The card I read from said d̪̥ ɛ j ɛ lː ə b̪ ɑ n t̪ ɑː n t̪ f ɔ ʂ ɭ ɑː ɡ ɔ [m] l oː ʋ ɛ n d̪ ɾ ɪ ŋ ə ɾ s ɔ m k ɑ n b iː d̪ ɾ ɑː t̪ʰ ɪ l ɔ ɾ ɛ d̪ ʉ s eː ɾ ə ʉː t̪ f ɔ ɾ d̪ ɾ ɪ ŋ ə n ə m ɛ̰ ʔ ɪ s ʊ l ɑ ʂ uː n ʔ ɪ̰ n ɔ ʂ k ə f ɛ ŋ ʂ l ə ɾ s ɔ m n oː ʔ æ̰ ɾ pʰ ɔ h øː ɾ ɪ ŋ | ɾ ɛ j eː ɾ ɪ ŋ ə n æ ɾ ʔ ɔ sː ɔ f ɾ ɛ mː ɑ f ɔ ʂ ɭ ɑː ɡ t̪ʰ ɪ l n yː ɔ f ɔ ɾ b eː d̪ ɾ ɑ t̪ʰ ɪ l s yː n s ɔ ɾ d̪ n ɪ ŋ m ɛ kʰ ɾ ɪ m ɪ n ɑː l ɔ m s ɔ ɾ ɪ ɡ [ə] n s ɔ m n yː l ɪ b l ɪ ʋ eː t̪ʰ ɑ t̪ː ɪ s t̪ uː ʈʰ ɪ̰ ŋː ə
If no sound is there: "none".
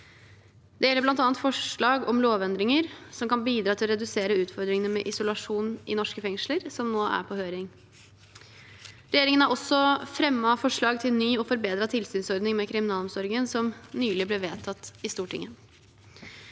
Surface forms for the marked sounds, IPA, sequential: m, ə

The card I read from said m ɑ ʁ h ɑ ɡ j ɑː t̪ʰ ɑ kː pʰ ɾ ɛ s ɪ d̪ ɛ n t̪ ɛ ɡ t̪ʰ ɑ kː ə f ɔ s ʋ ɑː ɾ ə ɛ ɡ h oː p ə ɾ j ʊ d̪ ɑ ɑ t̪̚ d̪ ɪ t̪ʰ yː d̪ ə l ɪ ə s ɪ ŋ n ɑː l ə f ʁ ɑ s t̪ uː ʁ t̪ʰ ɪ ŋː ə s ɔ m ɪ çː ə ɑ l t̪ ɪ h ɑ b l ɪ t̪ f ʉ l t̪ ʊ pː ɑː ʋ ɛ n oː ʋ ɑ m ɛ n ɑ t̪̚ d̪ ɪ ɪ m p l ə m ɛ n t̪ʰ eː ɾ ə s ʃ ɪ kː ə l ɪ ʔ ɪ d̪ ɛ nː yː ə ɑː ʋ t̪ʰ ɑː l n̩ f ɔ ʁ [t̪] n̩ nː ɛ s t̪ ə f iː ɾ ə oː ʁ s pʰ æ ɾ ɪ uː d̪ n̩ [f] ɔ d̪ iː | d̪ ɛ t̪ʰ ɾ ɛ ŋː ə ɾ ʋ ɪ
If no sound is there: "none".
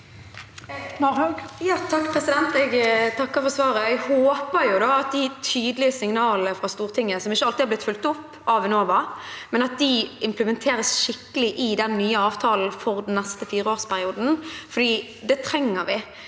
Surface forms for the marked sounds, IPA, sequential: d̪, f

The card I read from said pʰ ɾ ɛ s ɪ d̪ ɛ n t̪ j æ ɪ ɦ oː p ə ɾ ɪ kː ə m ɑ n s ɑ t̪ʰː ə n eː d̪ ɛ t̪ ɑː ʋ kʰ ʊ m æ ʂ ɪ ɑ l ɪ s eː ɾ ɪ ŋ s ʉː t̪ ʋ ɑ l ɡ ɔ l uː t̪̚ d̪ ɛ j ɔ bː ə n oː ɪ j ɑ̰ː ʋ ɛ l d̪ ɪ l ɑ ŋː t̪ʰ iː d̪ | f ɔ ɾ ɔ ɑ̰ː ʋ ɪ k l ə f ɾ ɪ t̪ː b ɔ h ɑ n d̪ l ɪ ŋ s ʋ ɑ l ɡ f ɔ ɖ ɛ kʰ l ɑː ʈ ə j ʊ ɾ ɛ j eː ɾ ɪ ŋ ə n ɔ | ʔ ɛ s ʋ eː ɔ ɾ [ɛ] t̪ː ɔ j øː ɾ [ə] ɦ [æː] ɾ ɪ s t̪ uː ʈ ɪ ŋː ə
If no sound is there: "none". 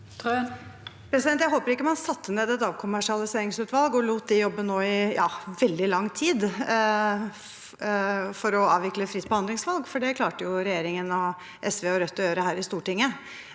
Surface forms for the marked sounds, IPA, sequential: œ, ə, æː

